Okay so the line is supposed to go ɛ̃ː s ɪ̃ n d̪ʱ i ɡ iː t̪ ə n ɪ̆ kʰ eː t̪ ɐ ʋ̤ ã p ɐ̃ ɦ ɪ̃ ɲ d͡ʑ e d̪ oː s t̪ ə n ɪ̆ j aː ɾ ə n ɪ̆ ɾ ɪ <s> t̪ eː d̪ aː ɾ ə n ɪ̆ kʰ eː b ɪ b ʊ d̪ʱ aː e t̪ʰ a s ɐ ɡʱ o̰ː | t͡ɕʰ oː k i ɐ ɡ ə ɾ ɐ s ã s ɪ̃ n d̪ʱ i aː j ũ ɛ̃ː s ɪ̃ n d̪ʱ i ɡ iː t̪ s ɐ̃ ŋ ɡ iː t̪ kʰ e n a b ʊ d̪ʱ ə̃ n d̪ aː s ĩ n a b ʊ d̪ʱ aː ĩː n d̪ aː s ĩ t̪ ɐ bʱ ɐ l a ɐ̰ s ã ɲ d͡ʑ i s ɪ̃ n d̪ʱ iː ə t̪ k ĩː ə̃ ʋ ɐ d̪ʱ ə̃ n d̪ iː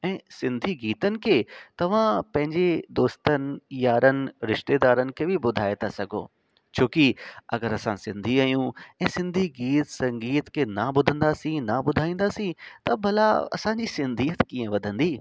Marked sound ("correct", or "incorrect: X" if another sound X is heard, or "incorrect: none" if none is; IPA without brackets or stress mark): incorrect: ʃ